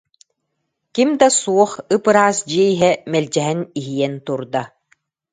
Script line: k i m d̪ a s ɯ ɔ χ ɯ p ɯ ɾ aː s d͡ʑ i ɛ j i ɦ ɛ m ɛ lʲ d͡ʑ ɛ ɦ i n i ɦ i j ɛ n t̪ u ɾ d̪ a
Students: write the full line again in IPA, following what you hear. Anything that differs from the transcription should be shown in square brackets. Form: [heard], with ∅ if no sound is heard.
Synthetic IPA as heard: k i m d̪ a s [u] ɔ χ ɯ p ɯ ɾ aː s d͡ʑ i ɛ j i ɦ ɛ m ɛ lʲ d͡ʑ ɛ ɦ [ɛ] n i ɦ i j ɛ n t̪ u ɾ d̪ a